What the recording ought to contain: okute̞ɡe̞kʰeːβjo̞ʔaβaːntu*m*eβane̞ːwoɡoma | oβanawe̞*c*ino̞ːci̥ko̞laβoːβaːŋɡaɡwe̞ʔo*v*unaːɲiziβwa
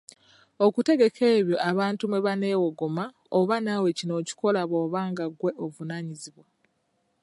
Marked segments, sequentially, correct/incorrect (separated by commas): correct, correct, correct